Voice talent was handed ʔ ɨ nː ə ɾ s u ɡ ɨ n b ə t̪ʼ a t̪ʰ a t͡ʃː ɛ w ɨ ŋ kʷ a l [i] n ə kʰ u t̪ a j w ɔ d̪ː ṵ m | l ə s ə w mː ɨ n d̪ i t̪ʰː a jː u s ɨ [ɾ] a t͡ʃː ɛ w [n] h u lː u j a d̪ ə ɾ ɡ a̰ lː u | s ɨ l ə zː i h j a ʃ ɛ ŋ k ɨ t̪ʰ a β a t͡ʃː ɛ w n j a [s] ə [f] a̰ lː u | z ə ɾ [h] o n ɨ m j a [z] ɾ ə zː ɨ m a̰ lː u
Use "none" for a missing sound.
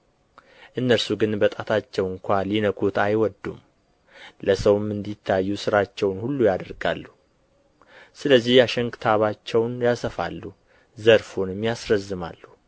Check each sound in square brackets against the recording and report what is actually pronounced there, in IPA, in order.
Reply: i, ɾ, n, s, f, f, s

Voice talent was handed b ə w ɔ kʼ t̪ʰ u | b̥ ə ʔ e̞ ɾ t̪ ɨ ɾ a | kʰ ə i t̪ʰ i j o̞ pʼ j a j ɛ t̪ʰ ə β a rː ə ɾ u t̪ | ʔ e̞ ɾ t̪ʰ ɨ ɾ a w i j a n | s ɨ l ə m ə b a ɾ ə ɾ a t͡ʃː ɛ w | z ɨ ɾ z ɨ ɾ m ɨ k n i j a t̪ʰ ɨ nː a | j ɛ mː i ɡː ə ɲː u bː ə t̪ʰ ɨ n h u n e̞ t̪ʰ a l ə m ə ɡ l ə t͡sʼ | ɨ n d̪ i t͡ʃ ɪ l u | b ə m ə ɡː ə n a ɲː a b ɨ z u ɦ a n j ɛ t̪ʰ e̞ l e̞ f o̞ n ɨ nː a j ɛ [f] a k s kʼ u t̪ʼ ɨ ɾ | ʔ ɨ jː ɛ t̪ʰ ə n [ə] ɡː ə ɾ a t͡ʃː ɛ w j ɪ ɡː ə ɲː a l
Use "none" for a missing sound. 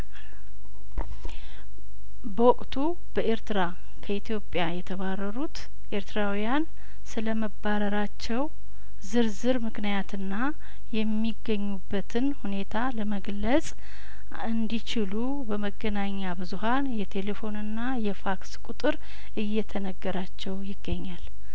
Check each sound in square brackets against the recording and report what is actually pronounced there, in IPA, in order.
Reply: f, ə

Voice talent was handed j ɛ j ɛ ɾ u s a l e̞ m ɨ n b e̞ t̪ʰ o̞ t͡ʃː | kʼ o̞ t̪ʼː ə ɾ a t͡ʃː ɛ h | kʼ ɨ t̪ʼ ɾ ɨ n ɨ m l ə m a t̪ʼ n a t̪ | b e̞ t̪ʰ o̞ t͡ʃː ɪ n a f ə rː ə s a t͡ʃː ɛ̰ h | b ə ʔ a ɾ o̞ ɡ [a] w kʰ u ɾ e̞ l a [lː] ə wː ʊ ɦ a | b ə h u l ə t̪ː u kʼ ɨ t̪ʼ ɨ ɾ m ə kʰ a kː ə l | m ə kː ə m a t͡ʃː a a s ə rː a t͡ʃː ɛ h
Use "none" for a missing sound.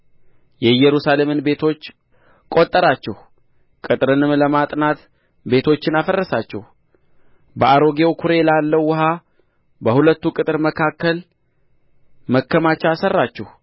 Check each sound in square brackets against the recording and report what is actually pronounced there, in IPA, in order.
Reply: e, lː

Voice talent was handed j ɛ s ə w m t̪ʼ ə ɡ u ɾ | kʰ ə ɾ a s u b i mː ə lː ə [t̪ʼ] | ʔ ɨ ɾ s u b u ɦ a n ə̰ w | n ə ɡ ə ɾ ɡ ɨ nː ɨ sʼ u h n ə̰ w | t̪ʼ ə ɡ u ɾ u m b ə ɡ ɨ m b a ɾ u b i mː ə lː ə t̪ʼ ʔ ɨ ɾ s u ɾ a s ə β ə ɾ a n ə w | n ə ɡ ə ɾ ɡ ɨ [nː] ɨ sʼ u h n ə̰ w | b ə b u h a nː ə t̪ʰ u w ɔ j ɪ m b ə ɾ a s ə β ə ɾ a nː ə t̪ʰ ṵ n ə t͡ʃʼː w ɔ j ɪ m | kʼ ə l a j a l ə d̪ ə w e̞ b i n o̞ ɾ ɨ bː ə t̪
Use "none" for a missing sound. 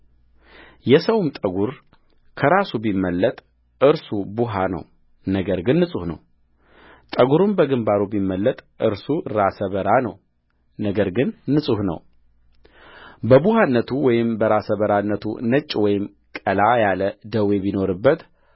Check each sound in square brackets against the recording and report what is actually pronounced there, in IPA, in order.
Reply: t̪ʼ, nː

